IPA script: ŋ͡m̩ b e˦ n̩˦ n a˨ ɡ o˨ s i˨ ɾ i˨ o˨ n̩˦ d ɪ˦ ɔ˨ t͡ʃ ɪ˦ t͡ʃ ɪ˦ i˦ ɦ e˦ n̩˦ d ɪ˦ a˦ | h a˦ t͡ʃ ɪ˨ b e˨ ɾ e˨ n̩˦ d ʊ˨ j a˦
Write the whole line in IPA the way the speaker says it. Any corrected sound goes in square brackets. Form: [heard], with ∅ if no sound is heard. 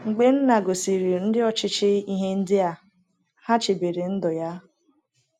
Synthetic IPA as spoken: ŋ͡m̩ [ɡ͡b] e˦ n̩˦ n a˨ ɡ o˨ s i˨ ɾ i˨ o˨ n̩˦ d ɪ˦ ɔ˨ t͡ʃ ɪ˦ t͡ʃ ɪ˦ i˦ ɦ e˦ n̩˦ d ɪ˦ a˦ | h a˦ t͡ʃ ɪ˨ b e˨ ɾ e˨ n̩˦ d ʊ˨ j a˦